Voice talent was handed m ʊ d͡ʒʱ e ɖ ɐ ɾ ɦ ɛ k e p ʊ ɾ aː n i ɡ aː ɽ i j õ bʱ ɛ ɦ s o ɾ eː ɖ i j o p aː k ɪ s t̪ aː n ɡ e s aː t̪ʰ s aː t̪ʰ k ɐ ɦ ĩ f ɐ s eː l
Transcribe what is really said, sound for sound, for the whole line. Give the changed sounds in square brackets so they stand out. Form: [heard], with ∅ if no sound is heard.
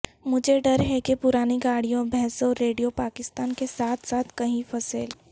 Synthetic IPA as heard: m ʊ d͡ʒʱ e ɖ ɐ ɾ ɦ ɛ k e p ʊ ɾ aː n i ɡ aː ɽ i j õ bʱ ɛ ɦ s o ɾ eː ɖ i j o p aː k ɪ s t̪ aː n [k] e s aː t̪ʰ s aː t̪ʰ k ɐ ɦ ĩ f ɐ s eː l

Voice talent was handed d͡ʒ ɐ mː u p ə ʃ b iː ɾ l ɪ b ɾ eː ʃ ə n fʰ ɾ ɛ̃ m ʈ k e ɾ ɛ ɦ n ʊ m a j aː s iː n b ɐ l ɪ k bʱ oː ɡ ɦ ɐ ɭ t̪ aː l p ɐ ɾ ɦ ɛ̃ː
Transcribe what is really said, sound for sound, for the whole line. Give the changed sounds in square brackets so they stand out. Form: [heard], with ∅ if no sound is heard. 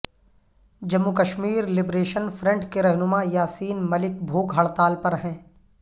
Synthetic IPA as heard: d͡ʒ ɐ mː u [k] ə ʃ [m] iː ɾ l ɪ b ɾ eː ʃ ə n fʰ ɾ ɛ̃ [ɳ] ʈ k e ɾ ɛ ɦ n ʊ m a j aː s iː n [m] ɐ l ɪ k bʱ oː ɡ ɦ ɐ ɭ t̪ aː l p ɐ ɾ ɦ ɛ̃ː

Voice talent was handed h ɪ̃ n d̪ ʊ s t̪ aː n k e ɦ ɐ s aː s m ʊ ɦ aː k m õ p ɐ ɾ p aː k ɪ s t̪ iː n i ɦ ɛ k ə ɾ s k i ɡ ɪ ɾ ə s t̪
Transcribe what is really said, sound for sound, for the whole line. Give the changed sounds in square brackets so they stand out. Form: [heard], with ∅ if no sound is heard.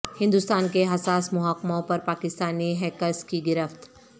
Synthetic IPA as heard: h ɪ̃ n d̪ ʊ s t̪ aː n k e ɦ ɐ s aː s m ʊ ɦ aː k m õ p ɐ ɾ p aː k ɪ s t̪ [aː] n i ɦ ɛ k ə ɾ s k i ɡ ɪ ɾ ə [f] t̪

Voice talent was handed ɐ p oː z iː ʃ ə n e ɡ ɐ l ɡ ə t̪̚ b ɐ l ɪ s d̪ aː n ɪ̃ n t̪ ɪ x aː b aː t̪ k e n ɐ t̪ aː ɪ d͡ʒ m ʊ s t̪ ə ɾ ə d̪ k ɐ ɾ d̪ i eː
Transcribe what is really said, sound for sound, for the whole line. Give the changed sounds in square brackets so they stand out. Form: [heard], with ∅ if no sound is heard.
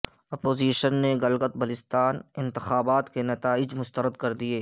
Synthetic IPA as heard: ɐ p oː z iː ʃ ə [nː] e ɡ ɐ l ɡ ə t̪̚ b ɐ l ɪ s [t̪] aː n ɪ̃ n t̪ ɪ x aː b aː t̪ k e n ɐ t̪ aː ɪ d͡ʒ m ʊ s t̪ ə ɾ ə d̪ k ɐ ɾ d̪ i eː

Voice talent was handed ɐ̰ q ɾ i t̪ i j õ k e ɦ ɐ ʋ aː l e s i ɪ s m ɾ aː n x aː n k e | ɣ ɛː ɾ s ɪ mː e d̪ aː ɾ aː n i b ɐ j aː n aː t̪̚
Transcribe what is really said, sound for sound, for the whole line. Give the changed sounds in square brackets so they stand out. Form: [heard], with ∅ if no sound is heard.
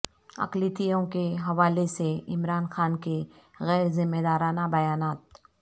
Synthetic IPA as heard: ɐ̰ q [l] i t̪ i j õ k e ɦ ɐ ʋ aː l e s [e] ɪ [∅] m ɾ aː n x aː n k e | ɣ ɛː ɾ [z] ɪ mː e d̪ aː ɾ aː n [a] b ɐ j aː n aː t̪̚

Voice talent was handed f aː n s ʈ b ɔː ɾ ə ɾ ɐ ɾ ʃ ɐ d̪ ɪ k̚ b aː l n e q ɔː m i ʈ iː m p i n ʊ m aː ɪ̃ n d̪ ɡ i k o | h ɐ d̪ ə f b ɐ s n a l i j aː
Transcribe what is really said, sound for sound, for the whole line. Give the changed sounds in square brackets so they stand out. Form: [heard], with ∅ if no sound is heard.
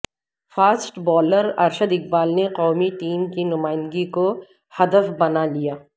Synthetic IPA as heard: f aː [∅] s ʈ b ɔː [l] ə ɾ ɐ ɾ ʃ [ə] d̪ ɪ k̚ b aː l n e q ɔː m i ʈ iː m [k] i n ʊ m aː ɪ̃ n d̪ ɡ i k o | h ɐ d̪ ə f b ɐ [∅] n a l i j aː

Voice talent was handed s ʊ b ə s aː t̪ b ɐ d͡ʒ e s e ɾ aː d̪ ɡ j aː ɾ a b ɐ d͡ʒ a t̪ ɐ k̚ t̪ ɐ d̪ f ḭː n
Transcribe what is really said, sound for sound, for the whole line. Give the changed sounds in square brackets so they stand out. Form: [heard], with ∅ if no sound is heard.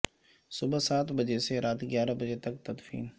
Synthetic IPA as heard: s ʊ b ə s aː t̪ b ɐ d͡ʒ e s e ɾ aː [t̪] ɡ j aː ɾ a b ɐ d͡ʒ [e] t̪ ɐ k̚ t̪ ɐ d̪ f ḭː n

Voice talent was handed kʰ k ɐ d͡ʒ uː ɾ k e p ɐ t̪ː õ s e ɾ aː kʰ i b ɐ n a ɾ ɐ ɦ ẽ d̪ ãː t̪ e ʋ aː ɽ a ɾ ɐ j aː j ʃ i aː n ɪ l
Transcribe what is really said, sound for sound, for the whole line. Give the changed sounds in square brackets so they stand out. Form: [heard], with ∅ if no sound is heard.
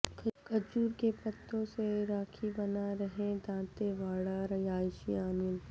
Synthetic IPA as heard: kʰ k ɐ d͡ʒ uː ɾ k e p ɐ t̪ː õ s e ɾ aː kʰ i b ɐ n a ɾ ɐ ɦ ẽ d̪ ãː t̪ e ʋ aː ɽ a ɾ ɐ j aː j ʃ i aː n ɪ l

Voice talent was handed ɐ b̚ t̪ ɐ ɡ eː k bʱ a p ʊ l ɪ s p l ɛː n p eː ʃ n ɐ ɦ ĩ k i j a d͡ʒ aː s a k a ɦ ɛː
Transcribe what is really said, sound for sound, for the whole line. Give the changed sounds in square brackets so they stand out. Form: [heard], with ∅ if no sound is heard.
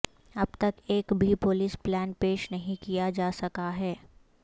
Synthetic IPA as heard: ɐ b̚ t̪ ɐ [k] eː k bʱ [i] p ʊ l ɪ s p l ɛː n p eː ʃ n ɐ ɦ ĩ k i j a d͡ʒ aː s [ɐ] k a ɦ ɛː

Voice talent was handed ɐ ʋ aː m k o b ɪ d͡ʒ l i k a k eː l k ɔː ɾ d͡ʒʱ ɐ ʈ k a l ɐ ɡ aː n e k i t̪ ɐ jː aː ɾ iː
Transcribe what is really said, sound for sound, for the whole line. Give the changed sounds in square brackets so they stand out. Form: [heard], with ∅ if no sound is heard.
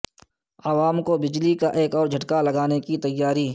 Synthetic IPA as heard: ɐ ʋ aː m k o b ɪ d͡ʒ l i k a [ʔ] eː [∅] k ɔː ɾ d͡ʒʱ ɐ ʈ k a l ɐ ɡ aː n e k i t̪ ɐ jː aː ɾ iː

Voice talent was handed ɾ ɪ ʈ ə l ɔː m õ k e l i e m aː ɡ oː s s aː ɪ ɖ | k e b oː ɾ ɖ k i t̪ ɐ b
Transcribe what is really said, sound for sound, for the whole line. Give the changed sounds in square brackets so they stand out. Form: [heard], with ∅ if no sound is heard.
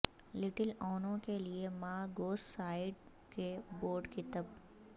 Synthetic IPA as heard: [l] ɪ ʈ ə l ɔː [n] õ k e l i e m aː ɡ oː s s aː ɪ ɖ | k e b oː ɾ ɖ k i t̪ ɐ b

